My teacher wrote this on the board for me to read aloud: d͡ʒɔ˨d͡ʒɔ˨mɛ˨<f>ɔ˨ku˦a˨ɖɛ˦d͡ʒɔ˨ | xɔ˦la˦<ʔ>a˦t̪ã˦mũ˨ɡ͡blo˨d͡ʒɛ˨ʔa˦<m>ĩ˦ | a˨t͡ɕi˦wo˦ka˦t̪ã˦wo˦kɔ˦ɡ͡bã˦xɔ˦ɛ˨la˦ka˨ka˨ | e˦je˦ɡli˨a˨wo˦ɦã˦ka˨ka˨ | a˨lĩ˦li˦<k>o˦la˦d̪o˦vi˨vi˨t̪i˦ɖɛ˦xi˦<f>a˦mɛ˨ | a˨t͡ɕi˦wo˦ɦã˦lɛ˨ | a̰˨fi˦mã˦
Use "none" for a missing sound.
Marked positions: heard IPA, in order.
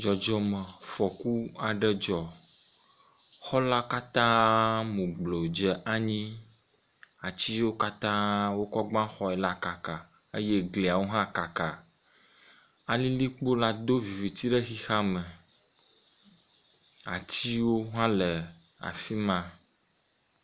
f, k, ɲ, k͡p, x

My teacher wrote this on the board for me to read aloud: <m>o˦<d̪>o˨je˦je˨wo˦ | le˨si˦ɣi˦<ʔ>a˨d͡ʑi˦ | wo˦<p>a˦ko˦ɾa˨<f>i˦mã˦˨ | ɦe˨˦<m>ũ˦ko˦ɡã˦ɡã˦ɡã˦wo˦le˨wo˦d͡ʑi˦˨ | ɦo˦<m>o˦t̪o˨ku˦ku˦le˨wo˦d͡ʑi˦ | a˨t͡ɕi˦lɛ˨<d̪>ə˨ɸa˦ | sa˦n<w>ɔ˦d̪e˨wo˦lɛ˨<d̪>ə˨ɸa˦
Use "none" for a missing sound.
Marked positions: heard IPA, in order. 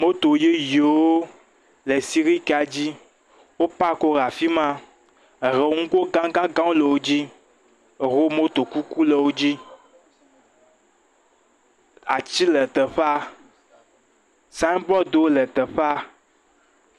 m, t̪, k, p, f, ŋ, m, t̪, b, t̪

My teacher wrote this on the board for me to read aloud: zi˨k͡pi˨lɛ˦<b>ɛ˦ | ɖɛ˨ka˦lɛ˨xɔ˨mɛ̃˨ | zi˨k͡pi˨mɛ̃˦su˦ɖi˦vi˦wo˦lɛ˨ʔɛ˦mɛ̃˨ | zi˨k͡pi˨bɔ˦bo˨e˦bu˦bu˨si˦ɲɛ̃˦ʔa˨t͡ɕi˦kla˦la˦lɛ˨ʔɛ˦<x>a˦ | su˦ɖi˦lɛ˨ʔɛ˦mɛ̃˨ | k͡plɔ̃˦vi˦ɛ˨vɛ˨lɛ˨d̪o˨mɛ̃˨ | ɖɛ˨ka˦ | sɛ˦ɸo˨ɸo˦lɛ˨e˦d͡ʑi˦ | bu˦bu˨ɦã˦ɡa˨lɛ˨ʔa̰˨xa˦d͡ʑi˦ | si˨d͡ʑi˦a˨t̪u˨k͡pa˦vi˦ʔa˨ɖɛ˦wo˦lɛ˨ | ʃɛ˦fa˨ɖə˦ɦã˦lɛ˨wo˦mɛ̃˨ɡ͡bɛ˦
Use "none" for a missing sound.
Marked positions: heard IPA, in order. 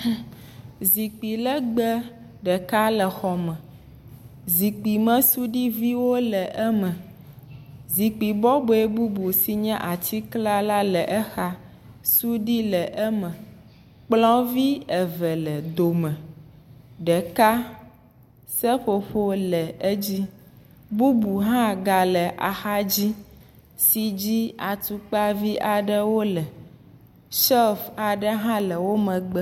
ɡ͡b, x

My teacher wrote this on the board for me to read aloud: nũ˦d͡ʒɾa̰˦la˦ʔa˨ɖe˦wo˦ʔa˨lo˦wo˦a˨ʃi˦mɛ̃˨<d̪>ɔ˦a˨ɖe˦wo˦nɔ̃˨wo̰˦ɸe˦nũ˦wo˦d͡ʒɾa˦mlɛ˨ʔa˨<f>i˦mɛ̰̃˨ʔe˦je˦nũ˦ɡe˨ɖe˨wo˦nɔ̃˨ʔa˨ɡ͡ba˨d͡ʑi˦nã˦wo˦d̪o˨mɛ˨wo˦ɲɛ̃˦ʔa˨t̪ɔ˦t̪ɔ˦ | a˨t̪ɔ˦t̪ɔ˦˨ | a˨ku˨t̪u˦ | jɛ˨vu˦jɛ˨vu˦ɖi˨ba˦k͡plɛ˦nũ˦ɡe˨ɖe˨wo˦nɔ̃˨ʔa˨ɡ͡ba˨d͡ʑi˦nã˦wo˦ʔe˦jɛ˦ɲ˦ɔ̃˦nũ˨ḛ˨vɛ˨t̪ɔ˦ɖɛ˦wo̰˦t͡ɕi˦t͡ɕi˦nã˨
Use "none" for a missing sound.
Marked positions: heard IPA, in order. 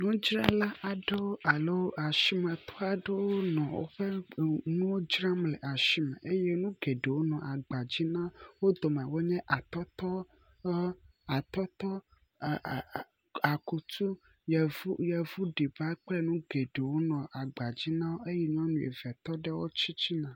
t̪, ʃ

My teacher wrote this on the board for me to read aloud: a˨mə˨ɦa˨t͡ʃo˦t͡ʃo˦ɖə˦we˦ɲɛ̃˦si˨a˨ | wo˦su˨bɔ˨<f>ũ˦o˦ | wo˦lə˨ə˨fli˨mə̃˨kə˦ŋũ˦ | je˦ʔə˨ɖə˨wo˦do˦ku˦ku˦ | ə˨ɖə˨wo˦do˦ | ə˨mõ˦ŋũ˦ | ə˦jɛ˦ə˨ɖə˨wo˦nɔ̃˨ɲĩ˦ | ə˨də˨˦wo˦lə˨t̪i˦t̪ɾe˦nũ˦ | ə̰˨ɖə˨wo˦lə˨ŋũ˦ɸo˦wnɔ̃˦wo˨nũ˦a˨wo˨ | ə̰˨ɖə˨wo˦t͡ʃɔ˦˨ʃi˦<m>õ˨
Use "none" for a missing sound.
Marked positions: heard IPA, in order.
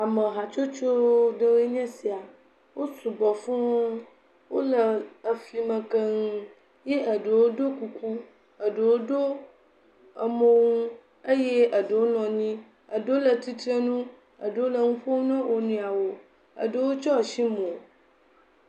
f, m

